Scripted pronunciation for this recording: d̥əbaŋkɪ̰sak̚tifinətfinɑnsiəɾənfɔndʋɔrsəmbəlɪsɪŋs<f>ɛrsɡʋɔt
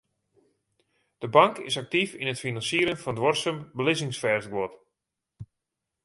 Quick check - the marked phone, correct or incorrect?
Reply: correct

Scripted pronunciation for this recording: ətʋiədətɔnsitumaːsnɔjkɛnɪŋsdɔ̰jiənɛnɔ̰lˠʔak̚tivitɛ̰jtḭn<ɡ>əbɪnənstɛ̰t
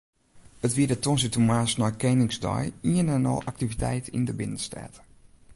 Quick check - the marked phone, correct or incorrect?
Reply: incorrect: d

